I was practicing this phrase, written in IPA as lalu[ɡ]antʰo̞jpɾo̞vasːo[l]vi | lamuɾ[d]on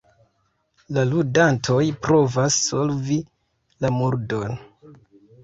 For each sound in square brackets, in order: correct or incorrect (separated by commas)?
incorrect, correct, correct